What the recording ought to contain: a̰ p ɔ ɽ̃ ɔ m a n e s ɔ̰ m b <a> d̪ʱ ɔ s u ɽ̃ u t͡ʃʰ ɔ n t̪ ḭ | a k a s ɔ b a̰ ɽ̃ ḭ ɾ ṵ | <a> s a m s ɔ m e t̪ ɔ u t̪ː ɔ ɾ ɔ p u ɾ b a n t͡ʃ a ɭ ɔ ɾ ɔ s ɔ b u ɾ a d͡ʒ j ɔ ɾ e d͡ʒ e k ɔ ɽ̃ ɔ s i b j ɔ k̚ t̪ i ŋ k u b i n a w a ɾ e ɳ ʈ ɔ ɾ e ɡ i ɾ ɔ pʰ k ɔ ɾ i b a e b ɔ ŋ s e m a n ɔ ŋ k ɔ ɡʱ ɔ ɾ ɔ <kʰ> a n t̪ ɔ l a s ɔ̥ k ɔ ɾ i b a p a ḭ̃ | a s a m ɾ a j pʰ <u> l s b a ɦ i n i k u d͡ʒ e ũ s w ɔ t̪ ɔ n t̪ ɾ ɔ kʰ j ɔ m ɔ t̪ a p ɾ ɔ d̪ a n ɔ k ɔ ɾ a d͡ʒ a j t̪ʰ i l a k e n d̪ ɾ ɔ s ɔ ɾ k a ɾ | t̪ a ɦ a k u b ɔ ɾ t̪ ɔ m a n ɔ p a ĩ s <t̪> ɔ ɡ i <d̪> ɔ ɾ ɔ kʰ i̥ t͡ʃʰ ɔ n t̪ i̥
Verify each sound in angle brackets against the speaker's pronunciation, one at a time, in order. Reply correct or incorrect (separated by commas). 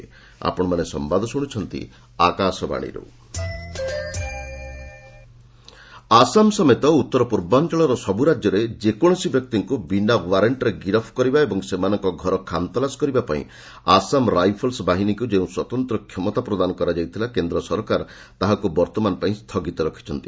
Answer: correct, correct, correct, incorrect, incorrect, incorrect